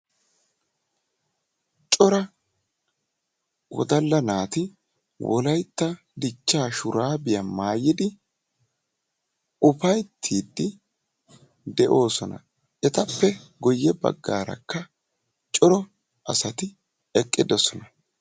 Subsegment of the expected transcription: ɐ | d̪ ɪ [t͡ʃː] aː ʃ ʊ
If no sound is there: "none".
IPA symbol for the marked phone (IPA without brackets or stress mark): t͡ʃː